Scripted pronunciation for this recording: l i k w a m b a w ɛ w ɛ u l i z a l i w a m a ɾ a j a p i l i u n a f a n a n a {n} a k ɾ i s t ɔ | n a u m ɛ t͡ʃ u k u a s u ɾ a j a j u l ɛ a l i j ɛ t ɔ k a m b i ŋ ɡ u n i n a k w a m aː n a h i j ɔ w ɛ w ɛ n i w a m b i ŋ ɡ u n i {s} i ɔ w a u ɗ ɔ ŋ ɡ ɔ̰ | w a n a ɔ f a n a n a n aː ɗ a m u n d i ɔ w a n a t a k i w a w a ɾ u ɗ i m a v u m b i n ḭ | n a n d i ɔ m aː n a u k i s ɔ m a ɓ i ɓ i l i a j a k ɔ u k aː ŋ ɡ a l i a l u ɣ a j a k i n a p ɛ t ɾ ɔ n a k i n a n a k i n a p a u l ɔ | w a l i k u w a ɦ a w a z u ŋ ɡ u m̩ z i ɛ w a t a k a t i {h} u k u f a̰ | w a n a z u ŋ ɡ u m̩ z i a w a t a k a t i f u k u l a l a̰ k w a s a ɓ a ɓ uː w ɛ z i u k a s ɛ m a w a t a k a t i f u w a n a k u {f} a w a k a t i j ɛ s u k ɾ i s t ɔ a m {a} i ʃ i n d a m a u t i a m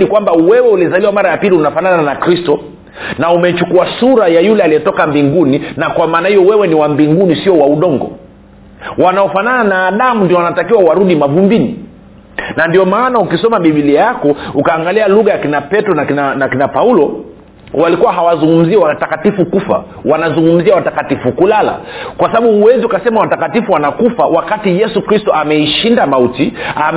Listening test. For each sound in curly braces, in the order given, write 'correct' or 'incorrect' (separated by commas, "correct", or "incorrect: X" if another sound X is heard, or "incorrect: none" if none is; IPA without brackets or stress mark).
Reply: correct, correct, incorrect: f, correct, incorrect: ɛ